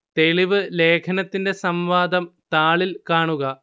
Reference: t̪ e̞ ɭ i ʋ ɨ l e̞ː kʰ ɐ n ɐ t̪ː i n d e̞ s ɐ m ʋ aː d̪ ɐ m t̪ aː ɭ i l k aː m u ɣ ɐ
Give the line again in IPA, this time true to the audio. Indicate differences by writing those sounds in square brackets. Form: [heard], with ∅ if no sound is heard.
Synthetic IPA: t̪ e̞ ɭ i ʋ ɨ l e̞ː kʰ ɐ n ɐ t̪ː i n d e̞ s ɐ m ʋ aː d̪ ɐ m t̪ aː ɭ i l k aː [ɳ] u ɣ ɐ